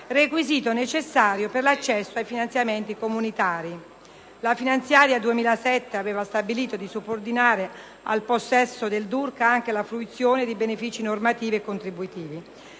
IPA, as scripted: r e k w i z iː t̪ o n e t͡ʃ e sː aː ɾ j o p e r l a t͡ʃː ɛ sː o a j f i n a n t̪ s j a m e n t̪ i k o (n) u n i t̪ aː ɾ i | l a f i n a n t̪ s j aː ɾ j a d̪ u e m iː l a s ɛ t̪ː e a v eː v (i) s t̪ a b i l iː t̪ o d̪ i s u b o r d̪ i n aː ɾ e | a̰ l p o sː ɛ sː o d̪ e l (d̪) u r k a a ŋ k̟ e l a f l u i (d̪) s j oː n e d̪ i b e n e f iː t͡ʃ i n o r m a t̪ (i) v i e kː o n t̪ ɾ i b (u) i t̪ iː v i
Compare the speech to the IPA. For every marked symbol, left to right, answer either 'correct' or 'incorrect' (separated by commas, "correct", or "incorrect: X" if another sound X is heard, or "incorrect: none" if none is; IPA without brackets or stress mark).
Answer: incorrect: m, incorrect: a, correct, incorrect: t̪, incorrect: iː, correct